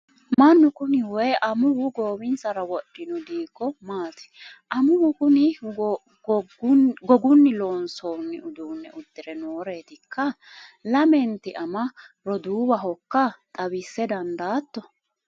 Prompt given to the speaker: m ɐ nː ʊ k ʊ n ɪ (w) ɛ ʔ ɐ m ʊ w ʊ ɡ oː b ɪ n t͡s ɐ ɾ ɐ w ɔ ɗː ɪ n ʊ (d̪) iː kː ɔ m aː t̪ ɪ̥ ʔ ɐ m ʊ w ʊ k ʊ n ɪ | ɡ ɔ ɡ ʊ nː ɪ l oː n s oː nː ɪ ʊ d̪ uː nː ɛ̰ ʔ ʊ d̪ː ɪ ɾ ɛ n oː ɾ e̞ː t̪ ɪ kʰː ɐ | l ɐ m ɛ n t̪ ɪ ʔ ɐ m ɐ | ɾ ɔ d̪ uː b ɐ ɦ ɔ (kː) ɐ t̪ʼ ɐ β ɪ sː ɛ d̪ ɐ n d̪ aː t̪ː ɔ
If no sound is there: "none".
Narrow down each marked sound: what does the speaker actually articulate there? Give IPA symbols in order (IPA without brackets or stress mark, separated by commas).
w, d̪, kː